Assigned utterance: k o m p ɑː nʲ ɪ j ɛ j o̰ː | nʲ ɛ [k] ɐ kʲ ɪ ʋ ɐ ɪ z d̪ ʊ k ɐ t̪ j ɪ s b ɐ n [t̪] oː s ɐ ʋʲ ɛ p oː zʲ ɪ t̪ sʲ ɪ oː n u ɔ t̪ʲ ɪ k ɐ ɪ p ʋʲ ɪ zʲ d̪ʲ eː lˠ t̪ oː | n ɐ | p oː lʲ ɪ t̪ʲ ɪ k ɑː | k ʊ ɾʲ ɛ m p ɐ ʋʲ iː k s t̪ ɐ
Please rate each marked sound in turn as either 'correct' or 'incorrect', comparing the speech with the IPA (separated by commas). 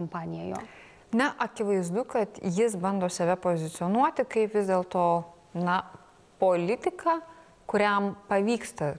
incorrect, incorrect